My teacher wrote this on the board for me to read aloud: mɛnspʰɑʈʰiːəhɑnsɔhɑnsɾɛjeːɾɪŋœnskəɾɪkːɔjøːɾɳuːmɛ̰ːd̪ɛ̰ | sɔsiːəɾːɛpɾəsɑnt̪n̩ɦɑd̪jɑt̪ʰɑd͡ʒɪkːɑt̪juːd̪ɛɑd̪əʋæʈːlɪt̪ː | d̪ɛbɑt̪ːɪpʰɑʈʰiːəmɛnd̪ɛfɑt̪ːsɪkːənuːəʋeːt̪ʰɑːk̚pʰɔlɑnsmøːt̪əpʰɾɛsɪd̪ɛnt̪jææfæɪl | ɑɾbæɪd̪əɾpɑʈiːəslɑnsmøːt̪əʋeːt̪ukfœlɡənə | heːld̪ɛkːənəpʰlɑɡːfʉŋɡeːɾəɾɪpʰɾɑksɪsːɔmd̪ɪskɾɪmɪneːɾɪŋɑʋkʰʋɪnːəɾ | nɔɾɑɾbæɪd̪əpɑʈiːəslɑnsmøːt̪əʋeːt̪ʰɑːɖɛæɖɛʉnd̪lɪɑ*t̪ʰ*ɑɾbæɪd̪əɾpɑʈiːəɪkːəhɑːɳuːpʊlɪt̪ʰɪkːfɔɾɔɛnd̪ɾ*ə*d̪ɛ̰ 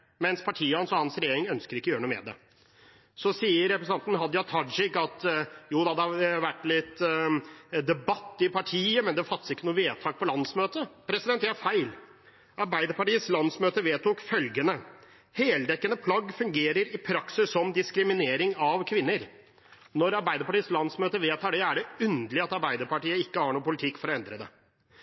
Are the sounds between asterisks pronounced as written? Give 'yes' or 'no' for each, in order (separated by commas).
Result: no, yes